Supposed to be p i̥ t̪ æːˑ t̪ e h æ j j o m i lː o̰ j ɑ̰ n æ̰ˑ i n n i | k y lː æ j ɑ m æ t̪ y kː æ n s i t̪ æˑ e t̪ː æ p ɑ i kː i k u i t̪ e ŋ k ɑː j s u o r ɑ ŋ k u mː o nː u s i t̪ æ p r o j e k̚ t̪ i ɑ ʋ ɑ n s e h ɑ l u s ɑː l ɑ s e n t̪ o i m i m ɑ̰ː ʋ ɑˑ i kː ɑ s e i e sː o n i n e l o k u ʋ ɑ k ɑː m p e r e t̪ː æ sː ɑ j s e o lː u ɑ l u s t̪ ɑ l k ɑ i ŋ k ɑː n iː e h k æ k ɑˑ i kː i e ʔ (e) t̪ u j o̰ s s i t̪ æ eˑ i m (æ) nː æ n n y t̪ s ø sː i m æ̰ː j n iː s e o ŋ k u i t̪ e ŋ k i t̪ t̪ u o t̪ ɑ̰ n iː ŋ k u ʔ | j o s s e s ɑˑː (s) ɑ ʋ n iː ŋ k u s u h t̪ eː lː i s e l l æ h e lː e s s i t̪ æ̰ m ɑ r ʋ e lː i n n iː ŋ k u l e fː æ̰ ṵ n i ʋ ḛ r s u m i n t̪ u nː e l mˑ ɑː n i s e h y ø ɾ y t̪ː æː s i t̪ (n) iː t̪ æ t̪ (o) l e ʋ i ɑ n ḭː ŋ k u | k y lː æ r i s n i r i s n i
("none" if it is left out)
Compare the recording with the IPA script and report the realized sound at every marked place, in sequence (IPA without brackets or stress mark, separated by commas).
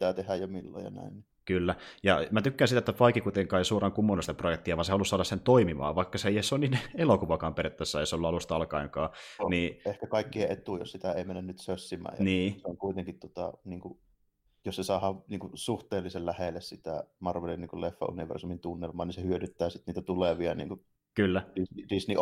e, e, h, n, u